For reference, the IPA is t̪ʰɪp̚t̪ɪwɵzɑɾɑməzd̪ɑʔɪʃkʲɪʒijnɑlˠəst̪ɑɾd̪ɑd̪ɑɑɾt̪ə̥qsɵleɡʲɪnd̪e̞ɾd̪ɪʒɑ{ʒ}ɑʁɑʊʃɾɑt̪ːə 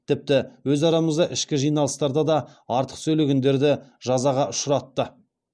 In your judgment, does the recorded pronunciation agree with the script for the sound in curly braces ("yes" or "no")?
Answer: no